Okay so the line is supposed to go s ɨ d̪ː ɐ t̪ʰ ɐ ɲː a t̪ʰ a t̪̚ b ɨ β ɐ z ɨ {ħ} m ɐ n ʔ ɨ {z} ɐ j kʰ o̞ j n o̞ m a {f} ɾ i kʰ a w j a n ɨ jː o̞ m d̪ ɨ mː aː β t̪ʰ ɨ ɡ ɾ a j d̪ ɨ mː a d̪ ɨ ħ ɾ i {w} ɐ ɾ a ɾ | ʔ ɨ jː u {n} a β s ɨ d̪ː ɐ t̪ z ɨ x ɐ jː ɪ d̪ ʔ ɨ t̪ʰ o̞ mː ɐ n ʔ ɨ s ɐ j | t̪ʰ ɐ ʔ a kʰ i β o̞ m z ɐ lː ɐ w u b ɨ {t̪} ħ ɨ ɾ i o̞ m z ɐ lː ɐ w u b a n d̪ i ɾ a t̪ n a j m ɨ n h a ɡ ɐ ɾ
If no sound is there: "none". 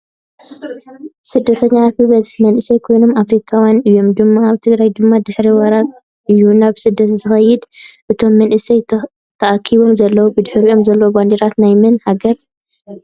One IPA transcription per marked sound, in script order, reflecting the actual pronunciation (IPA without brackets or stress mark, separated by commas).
ħ, s, f, w, n, d̪